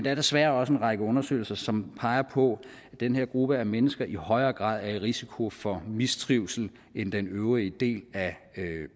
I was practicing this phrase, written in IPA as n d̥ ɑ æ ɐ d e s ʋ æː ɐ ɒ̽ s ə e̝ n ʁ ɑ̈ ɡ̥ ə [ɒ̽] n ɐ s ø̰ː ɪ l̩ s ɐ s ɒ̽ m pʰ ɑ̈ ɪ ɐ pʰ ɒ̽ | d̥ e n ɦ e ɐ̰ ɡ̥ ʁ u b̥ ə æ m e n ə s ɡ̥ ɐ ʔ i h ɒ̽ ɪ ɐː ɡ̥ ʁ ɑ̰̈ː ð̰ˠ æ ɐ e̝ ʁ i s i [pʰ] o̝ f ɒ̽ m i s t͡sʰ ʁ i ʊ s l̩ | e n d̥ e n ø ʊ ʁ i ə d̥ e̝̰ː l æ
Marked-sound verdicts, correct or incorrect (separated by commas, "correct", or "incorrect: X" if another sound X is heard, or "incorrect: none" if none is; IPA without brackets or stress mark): incorrect: ɔ̽, incorrect: kʰ